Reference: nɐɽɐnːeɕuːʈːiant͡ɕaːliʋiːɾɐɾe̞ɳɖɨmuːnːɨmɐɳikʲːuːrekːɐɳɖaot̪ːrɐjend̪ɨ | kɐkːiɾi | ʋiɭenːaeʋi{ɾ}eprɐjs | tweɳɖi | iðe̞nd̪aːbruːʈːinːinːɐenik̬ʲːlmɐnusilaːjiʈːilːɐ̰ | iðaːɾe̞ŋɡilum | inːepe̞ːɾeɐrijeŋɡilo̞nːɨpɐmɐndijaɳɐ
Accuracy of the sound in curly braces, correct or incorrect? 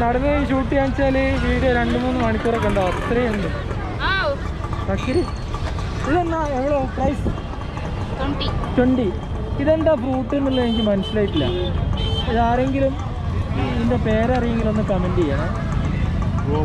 incorrect